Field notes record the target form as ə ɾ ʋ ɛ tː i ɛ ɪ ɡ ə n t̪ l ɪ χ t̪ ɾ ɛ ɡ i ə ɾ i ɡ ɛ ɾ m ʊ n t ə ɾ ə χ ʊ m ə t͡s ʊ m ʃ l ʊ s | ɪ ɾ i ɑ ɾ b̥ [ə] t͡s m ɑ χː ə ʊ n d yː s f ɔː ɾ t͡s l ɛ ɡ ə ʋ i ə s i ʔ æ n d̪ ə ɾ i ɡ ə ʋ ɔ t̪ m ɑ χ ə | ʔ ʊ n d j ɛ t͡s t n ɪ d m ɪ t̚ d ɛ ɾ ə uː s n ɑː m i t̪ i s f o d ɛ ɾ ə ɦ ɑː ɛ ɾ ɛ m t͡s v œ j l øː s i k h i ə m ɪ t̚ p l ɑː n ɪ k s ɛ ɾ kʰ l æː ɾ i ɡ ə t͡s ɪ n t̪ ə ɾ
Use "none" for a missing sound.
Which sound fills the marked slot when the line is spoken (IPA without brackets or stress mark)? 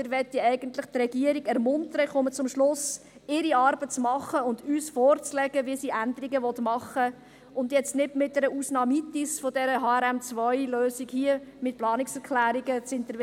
ə